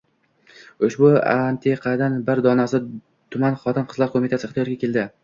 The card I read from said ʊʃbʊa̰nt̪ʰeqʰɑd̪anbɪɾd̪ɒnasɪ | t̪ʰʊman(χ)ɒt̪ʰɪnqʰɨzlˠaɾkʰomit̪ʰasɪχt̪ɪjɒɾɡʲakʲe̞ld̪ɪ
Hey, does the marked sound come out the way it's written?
yes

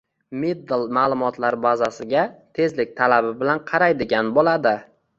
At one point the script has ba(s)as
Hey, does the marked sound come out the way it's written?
no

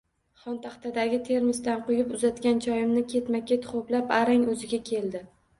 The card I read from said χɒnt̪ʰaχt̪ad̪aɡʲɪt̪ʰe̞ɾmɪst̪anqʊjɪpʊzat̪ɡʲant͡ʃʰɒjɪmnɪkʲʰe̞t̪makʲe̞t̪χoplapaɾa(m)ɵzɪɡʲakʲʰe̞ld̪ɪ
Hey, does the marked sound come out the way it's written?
no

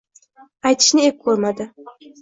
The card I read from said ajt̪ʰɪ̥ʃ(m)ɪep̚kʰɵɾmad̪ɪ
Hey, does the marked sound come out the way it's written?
no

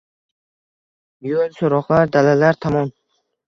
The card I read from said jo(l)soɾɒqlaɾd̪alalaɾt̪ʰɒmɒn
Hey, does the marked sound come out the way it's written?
yes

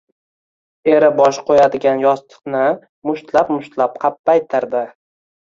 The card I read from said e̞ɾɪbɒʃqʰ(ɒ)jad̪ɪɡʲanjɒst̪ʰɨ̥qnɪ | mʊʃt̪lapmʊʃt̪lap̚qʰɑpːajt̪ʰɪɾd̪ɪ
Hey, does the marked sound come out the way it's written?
no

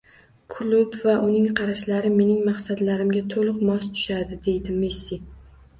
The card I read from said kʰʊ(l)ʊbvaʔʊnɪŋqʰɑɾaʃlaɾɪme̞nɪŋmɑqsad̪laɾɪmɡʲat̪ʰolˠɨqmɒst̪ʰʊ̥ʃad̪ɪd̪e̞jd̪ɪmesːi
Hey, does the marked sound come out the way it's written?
yes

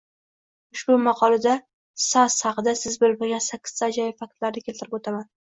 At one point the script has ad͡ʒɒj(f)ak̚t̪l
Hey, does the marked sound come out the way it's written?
yes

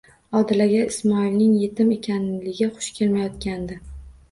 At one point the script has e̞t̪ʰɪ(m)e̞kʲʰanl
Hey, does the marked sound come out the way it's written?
yes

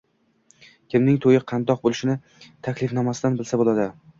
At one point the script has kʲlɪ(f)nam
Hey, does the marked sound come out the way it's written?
yes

